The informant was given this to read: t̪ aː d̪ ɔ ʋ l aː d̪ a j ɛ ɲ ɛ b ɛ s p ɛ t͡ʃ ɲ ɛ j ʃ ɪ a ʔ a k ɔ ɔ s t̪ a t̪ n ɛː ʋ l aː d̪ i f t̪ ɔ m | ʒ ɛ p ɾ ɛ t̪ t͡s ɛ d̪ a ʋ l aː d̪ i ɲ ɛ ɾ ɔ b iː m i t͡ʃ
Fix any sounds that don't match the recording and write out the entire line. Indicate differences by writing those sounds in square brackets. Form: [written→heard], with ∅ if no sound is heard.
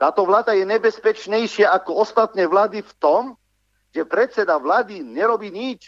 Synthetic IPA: t̪ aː [d̪→t̪] ɔ ʋ l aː d̪ a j ɛ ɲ ɛ b ɛ s p ɛ t͡ʃ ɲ ɛ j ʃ ɪ a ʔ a k ɔ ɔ s t̪ a t̪ n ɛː ʋ l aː d̪ i f t̪ ɔ m | ʒ ɛ p ɾ ɛ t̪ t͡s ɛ d̪ a ʋ l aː d̪ i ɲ ɛ ɾ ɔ b iː [m→ɲ] i t͡ʃ